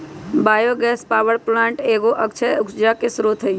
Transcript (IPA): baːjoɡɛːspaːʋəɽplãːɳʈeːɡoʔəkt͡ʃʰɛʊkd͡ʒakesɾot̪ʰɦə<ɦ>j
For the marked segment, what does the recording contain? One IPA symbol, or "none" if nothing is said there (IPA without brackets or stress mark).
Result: none